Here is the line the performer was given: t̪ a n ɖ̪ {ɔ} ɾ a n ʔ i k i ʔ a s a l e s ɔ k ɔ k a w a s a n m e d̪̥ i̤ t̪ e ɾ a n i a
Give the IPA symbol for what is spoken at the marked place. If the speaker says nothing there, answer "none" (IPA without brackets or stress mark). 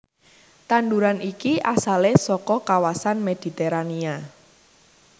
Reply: u